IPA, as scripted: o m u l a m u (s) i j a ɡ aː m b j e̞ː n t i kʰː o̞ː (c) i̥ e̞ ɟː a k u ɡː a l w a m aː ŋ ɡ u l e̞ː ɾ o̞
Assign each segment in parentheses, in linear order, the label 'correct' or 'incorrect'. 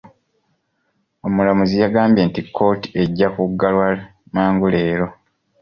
incorrect: z, incorrect: t

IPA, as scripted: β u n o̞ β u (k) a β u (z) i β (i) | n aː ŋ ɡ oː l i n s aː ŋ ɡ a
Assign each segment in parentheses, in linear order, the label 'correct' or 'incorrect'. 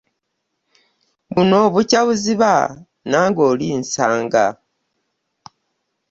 incorrect: c, correct, incorrect: a

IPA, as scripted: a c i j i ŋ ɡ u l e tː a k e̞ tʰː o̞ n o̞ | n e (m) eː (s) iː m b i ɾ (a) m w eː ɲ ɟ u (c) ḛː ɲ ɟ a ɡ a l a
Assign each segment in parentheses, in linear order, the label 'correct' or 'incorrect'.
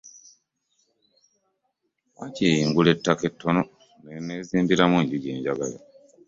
incorrect: n, incorrect: z, correct, incorrect: ɟ

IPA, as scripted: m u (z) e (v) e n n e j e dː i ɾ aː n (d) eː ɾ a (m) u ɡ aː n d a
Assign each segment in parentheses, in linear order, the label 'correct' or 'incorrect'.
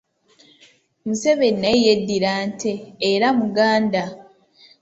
incorrect: s, incorrect: β, incorrect: t, correct

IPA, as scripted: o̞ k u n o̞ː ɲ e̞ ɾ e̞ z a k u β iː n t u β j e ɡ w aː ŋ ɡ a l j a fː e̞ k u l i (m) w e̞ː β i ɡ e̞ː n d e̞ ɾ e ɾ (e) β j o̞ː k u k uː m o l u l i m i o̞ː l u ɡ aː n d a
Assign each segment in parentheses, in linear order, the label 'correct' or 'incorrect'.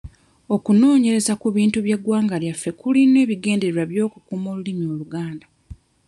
incorrect: n, incorrect: a

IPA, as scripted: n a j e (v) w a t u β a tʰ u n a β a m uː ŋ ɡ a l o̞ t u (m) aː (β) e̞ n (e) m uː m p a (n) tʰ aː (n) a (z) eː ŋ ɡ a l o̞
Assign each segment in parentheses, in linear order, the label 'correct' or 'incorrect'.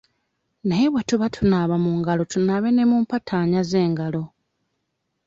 incorrect: β, incorrect: n, correct, correct, incorrect: none, incorrect: ɲ, correct

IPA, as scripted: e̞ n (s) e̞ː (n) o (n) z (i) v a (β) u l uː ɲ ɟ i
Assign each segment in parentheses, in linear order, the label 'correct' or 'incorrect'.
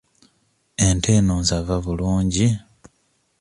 incorrect: t, correct, correct, incorrect: a, correct

